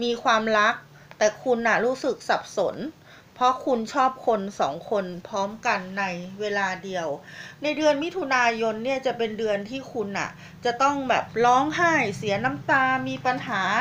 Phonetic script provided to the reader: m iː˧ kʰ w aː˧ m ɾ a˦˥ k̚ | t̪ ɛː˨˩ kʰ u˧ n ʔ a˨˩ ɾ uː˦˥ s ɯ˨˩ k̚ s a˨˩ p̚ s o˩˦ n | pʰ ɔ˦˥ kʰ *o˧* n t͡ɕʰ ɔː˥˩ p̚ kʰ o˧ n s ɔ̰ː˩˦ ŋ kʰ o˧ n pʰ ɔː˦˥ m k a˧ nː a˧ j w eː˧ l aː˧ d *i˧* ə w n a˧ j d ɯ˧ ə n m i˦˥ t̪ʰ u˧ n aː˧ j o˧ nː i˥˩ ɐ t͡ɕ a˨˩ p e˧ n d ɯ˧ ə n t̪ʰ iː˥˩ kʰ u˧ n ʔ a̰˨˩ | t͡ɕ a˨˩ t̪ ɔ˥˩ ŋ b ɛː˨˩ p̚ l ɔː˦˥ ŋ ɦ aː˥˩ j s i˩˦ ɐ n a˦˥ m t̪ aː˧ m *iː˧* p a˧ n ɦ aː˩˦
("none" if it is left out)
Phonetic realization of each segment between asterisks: u˧, i˧, iː˧

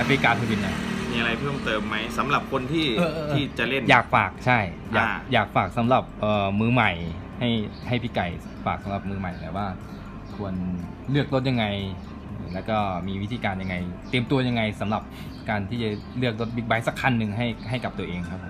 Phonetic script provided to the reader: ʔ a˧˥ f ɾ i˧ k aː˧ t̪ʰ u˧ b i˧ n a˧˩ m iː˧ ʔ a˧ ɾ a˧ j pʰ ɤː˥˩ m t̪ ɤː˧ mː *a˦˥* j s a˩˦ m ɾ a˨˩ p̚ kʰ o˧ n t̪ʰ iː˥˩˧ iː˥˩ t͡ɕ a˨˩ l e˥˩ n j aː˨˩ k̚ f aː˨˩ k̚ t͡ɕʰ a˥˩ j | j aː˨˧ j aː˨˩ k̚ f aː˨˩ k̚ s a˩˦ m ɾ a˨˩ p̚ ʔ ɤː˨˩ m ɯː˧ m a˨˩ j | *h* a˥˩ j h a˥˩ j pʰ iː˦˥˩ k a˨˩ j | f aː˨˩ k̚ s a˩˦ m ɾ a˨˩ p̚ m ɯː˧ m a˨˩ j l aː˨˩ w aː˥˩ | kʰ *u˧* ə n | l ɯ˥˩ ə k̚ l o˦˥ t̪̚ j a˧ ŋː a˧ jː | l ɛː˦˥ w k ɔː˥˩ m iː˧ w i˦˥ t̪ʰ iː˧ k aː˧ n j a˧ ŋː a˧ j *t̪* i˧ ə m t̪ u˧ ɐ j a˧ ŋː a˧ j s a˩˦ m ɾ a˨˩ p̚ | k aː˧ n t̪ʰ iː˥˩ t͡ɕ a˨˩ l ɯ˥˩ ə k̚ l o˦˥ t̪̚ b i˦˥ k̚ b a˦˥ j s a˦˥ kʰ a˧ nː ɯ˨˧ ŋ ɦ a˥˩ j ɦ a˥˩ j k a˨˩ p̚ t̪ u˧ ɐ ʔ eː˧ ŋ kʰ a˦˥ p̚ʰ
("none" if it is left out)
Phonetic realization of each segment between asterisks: a˦˥, h, u˧, t̪

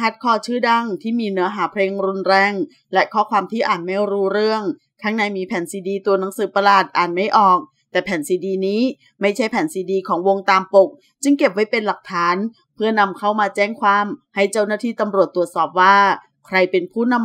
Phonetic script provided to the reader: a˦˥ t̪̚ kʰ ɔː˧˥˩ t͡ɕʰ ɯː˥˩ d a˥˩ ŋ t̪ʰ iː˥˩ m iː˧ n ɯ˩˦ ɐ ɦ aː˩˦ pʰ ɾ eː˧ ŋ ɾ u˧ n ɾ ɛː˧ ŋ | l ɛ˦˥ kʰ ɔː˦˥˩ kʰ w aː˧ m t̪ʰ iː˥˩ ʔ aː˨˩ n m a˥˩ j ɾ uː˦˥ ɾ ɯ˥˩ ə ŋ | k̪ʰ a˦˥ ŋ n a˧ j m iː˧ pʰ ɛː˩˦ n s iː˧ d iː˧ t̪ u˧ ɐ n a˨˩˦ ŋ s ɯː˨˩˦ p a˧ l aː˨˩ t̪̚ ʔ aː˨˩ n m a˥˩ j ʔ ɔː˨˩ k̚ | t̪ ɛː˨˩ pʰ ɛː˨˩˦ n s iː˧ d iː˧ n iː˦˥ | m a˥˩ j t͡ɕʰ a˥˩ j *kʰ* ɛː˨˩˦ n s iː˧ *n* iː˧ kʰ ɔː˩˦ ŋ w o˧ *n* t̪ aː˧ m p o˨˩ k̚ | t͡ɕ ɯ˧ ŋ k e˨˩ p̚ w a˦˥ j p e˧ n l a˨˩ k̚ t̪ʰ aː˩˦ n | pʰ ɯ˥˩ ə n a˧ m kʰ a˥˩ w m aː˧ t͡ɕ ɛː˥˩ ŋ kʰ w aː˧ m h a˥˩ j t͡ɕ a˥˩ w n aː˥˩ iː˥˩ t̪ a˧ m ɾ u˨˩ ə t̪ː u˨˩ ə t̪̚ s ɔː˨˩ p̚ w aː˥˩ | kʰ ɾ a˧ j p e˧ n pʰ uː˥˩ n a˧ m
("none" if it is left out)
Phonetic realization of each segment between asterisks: pʰ, d, ŋ

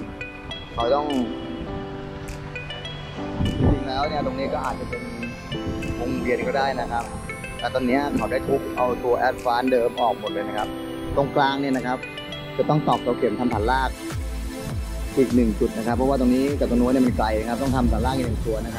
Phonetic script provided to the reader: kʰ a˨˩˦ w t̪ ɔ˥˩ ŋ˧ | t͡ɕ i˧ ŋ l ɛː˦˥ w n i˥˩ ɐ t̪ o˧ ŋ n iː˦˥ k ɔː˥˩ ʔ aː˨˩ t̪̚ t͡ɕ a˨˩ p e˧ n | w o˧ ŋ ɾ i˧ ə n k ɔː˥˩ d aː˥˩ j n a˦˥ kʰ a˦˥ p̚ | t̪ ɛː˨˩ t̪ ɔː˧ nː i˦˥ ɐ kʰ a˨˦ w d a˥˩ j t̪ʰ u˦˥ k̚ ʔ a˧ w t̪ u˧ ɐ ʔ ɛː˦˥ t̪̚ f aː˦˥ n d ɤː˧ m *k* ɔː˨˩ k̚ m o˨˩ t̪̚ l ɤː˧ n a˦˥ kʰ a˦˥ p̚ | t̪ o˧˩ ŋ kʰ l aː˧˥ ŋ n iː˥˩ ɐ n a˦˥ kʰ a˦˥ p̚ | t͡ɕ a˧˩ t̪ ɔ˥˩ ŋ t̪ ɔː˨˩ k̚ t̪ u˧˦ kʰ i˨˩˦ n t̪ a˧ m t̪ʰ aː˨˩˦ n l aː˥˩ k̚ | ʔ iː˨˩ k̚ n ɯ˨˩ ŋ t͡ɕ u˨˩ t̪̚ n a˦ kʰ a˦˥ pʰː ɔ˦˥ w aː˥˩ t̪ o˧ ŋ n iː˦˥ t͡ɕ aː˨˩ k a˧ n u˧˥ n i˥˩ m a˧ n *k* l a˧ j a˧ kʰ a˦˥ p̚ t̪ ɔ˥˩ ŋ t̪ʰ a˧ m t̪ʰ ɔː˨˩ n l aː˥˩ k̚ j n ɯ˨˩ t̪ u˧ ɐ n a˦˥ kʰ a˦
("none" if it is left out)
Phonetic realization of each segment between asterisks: ʔ, k

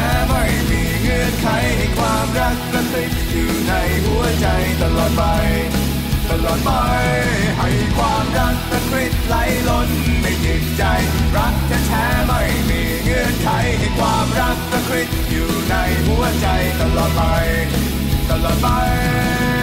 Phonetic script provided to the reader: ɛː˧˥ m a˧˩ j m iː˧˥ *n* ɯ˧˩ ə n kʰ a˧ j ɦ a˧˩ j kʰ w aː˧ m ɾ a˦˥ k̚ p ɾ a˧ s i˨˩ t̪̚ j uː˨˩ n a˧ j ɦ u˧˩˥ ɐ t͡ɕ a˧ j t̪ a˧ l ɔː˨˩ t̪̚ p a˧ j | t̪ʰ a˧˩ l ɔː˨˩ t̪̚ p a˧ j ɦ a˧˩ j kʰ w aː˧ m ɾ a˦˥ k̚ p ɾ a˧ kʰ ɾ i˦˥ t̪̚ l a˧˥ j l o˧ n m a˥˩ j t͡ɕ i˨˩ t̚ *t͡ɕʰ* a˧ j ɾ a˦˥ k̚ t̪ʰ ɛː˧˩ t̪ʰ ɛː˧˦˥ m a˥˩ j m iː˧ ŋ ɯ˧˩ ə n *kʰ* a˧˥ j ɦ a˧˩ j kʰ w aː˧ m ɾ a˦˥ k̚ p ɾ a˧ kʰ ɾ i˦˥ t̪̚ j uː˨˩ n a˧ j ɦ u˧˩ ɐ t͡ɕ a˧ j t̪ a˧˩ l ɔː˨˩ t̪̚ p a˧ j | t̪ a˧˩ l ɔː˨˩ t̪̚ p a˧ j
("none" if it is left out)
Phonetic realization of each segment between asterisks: ŋ, t͡ɕ, kʰ

